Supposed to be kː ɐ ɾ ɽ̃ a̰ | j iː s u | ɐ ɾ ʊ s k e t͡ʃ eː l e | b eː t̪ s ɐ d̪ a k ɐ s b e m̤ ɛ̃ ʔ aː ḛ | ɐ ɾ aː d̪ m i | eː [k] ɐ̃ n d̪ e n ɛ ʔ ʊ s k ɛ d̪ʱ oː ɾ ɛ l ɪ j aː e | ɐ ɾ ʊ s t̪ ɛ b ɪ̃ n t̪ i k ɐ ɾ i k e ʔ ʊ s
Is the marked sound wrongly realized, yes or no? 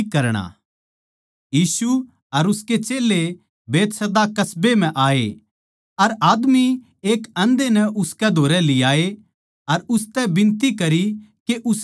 no